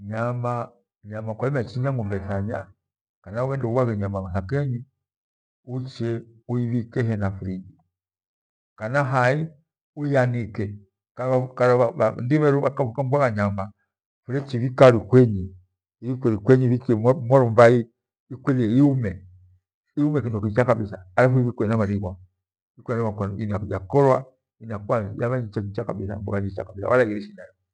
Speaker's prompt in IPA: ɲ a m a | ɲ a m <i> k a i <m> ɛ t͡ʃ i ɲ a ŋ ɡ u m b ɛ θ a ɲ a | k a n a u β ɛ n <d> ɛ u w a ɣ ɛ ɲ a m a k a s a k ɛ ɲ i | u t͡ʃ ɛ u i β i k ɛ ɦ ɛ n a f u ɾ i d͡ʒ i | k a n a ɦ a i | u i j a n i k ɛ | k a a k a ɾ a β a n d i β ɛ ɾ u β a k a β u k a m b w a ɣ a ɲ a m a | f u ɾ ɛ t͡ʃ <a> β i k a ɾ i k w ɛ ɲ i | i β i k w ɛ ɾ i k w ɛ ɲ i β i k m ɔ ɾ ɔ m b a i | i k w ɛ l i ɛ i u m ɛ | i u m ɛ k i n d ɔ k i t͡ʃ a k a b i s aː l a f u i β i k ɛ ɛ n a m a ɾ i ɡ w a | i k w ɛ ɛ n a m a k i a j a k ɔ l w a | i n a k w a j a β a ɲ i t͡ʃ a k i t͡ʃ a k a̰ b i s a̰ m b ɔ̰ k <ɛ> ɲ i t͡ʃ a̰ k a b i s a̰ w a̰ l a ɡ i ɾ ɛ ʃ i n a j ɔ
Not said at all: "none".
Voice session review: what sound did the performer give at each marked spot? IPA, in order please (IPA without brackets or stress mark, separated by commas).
a, m, d, i, a